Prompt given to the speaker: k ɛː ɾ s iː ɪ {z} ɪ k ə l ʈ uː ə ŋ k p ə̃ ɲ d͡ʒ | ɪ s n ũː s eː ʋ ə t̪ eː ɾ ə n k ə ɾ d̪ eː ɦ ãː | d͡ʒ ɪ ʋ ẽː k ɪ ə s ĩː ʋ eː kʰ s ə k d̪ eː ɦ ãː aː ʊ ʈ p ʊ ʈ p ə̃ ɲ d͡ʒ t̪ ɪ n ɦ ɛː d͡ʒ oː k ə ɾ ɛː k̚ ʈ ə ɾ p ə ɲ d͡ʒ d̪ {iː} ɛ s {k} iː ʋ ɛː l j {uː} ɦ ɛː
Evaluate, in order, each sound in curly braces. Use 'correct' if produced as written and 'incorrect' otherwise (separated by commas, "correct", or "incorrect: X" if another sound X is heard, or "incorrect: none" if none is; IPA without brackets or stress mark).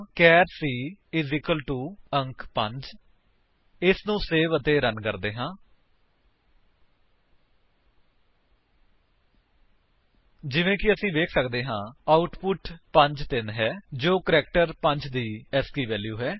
correct, correct, correct, correct